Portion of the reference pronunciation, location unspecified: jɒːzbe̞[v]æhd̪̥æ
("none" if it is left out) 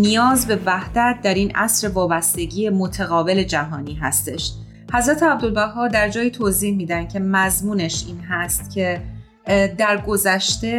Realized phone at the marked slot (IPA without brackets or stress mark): v